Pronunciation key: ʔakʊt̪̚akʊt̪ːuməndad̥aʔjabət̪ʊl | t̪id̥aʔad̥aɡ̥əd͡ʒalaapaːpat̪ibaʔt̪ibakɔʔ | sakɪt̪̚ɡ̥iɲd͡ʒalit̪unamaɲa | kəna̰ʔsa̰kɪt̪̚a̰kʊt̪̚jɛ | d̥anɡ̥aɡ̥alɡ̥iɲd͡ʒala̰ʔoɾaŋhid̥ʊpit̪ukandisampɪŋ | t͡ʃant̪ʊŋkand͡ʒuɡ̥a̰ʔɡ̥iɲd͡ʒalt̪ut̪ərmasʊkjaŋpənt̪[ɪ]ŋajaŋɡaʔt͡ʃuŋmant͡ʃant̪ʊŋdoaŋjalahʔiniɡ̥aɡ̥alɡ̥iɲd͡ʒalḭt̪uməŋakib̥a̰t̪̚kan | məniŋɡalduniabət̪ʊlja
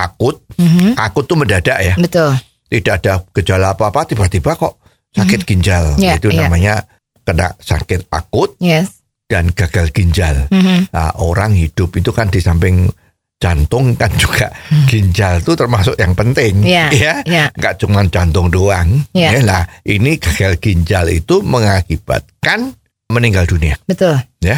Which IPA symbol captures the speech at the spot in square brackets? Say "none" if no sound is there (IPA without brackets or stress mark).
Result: ɪ